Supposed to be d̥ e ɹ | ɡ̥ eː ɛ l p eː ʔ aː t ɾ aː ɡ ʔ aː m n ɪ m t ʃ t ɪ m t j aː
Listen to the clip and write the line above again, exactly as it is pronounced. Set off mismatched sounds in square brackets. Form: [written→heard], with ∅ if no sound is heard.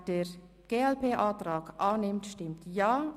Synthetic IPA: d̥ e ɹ | ɡ̥ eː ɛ l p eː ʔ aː t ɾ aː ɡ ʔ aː [m→∅] n ɪ m t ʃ t ɪ m t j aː